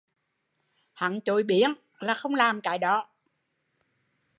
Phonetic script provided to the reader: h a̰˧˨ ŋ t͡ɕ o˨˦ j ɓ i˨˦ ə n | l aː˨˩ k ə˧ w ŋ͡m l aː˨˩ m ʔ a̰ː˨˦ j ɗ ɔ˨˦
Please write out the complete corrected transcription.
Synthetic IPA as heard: h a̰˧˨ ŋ t͡ɕ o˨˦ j ɓ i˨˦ ə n | l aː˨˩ x ə˧ w ŋ͡m l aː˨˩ m k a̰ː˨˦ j ɗ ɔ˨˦

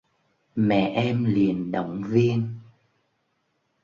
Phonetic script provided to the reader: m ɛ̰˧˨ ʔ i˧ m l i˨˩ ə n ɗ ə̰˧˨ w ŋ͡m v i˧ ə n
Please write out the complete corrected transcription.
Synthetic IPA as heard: m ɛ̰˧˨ ʔ ɛ˧ m l i˨˩ ə n ɗ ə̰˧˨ w ŋ͡m v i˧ ə n

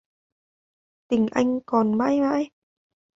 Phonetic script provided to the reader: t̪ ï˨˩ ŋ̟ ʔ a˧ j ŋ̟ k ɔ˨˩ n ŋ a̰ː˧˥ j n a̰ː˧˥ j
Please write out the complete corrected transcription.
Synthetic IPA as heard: t̪ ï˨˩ ŋ̟ ʔ a˧ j ŋ̟ k ɔ˨˩ n m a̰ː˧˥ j m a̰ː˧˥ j

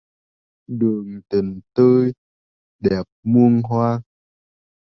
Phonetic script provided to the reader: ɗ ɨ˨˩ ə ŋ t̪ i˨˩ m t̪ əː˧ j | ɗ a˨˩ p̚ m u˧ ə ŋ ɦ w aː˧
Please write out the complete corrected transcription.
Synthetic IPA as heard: ɗ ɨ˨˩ ə ŋ t̪ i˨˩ ŋ t̪ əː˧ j | ɗ ɛ˨˩ p̚ m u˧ ə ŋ ɦ w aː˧

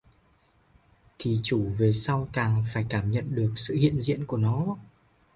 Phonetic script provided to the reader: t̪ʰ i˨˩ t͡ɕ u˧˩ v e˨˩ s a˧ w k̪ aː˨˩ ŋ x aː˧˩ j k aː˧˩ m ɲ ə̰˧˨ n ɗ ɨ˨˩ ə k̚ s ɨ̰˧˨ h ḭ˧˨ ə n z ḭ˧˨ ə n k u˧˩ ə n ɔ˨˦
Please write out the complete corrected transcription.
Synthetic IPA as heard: t̪ʰ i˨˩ t͡ɕ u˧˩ v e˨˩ s a˧ w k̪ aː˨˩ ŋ f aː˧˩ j k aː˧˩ m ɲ ə̰˧˨ n ɗ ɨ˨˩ ə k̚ s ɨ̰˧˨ h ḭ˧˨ ə n z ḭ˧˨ ə n k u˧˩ ə n ɔ˨˦

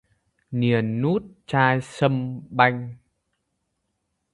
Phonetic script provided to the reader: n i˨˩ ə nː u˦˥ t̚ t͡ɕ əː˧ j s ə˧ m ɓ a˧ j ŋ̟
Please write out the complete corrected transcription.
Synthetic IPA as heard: n i˨˩ ə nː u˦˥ t̚ t͡ɕ aː˧ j s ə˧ m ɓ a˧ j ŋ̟

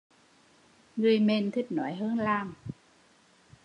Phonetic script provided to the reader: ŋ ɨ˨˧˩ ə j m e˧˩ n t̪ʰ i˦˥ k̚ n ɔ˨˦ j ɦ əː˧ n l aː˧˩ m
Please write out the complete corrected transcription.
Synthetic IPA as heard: ŋ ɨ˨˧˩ ə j m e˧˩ n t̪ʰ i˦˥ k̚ n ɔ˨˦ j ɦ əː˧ n l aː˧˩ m

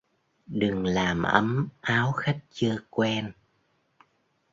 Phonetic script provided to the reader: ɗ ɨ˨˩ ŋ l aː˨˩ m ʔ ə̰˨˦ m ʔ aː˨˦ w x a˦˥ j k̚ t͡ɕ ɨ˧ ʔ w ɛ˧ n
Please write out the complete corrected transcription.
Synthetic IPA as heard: ɗ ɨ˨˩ ŋ l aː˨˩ m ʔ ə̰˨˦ m ʔ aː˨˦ w x a˦˥ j k̚ t͡ɕ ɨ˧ k w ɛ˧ n

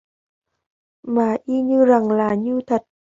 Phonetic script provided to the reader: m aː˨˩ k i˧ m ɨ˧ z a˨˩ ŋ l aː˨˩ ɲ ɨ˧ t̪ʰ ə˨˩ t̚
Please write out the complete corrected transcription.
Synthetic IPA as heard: m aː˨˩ ʔ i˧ ɲ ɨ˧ z a˨˩ ŋ l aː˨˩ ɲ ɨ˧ t̪ʰ ə˨˩ t̚

